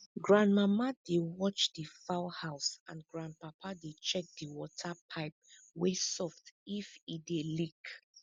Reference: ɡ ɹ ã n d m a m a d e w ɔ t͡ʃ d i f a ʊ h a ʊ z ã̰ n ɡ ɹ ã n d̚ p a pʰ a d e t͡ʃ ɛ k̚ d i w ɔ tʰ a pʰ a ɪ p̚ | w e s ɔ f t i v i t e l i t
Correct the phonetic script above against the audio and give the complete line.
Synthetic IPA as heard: ɡ ɹ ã n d m a m a d e w ɔ t͡ʃ d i f a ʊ h a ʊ s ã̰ n ɡ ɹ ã n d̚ p a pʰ a d e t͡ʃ ɛ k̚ d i w ɔ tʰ a pʰ a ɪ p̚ | w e s ɔ f t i f i d e l i k